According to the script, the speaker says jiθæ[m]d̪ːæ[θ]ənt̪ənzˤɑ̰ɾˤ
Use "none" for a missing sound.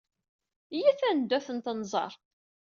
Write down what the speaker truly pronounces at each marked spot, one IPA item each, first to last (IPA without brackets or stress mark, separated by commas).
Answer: n, θ